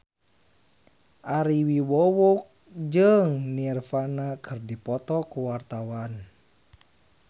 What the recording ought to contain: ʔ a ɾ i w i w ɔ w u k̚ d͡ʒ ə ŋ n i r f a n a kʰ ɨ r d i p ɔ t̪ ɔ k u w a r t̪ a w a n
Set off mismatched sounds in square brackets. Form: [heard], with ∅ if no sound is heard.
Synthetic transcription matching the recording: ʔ a ɾ i w i w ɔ w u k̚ d͡ʒ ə ŋ n i r f a n a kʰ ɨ r d i p ɔ t̪ ɔ k u w a r t̪ a w a n